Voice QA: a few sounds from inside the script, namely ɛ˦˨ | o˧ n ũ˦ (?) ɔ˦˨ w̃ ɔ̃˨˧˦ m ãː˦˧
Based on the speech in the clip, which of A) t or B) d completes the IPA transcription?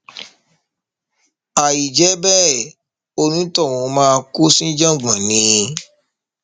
A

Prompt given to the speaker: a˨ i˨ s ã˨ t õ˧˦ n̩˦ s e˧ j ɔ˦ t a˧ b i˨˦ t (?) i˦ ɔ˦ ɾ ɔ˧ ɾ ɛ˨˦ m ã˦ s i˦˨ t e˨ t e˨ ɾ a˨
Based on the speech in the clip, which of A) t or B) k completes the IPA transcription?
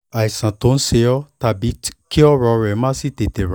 B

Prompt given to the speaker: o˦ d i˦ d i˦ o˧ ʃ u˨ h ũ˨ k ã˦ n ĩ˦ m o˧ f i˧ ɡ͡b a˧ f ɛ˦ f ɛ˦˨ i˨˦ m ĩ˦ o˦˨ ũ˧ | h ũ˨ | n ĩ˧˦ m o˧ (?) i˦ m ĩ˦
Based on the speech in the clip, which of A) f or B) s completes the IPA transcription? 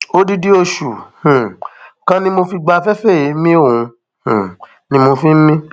A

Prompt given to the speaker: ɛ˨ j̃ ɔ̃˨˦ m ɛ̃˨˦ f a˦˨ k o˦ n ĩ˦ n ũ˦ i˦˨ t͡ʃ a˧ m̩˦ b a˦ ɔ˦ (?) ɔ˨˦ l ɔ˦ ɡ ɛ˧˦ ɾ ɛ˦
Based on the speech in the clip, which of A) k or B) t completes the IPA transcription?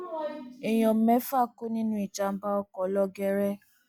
A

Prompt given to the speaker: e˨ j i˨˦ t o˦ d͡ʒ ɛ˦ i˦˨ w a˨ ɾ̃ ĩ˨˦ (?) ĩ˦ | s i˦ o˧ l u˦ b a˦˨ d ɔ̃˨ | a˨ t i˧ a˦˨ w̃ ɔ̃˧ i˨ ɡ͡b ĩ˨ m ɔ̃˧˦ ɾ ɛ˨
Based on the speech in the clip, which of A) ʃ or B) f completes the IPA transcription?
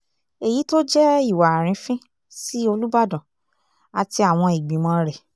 B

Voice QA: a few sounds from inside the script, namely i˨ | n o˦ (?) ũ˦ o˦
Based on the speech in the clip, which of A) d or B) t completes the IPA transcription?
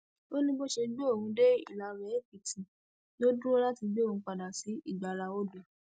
A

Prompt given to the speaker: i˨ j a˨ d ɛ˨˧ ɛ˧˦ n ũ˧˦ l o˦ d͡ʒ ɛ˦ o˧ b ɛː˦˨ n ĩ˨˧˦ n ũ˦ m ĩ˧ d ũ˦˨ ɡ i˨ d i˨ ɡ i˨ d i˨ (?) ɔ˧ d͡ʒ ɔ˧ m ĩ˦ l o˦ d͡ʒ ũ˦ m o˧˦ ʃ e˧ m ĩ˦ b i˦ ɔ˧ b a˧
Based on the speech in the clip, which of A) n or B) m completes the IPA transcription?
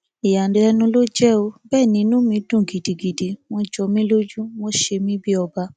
B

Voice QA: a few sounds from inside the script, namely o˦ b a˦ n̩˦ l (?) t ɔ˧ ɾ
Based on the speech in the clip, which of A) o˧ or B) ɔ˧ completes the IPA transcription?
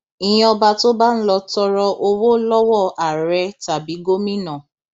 B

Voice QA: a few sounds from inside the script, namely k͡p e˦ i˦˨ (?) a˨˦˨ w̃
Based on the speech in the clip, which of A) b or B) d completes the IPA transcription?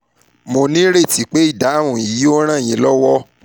B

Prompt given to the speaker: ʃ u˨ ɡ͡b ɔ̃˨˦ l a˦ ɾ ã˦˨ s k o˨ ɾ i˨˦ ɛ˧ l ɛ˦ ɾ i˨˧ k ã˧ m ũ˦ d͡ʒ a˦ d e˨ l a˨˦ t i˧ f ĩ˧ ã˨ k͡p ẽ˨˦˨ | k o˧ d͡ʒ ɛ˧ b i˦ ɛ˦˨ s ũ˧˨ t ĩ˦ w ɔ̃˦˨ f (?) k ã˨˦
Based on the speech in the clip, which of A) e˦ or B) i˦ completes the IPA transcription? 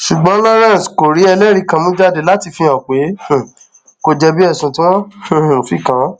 B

